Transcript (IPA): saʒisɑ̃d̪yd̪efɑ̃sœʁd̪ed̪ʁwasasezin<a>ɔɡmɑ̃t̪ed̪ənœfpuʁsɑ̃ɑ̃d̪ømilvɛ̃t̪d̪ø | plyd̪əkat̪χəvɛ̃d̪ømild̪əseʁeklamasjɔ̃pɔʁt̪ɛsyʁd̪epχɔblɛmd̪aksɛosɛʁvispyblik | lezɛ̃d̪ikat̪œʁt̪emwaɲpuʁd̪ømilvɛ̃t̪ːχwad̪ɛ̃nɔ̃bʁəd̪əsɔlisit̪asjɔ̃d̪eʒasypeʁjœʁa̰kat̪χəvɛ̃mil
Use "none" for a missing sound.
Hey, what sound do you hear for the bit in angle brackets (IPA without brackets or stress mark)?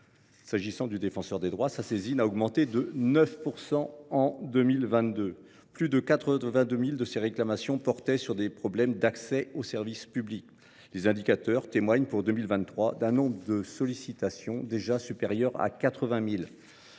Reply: a